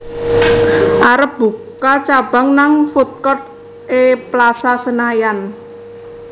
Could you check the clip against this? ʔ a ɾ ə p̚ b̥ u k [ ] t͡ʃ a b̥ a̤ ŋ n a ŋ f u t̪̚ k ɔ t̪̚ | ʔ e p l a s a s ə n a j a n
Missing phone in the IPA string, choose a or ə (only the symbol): a